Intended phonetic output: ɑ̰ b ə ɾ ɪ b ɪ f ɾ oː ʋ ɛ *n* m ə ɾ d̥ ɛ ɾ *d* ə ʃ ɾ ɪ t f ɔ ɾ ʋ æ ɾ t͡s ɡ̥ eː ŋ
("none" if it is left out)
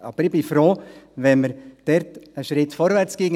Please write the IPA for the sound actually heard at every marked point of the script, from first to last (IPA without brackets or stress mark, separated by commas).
n, t